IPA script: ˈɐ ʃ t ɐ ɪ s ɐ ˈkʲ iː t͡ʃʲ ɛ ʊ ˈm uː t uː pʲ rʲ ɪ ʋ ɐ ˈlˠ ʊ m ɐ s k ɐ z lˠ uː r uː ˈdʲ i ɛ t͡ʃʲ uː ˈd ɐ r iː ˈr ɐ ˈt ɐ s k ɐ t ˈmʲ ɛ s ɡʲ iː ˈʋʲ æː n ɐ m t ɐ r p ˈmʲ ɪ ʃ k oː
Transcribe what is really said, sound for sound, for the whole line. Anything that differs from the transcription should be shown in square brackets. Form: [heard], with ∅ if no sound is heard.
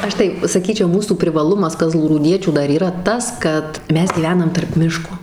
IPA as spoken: ˈɐ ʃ t ɐ ɪ s ɐ ˈkʲ iː t͡ʃʲ ɛ ʊ ˈm uː [s] uː pʲ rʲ ɪ ʋ ɐ ˈlˠ ʊ m ɐ s k ɐ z lˠ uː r uː ˈdʲ i ɛ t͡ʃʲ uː ˈd ɐ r iː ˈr ɐ ˈt ɐ s k ɐ t ˈmʲ ɛ s ɡʲ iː ˈʋʲ æː n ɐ m t ɐ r p ˈmʲ ɪ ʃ k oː